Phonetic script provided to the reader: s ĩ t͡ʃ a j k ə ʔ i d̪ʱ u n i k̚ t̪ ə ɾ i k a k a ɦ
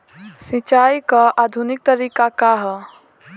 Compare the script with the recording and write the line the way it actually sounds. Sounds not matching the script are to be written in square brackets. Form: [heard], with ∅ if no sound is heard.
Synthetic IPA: s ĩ t͡ʃ a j k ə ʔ [a] d̪ʱ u n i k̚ t̪ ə ɾ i k a k a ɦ